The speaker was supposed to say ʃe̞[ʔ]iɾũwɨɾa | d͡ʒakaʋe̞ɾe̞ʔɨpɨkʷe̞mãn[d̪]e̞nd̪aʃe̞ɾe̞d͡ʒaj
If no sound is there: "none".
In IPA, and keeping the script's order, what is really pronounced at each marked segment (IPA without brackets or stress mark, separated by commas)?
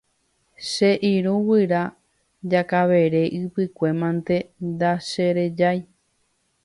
ʔ, t̪